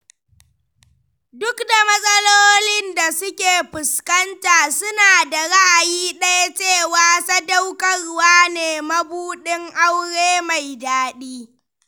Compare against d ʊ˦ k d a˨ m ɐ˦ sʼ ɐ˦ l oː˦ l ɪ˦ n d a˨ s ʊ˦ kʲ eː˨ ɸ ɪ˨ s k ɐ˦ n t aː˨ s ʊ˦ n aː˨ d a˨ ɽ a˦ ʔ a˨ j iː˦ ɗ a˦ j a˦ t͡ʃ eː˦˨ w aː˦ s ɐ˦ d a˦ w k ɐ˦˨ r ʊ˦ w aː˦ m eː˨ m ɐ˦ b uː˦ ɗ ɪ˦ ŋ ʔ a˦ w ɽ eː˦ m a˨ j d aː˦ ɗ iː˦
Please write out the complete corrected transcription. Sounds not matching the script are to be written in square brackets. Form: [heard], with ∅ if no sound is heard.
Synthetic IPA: d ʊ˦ k d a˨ m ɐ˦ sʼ ɐ˦ l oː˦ l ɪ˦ n d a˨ s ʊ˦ kʲ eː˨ ɸ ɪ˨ s k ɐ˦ n t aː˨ s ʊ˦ n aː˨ d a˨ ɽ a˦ ʔ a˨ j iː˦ ɗ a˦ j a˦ t͡ʃ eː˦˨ w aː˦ s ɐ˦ d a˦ w k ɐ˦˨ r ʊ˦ w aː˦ [n] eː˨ m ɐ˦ b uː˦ ɗ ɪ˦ ŋ ʔ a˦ w ɽ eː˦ m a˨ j d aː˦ ɗ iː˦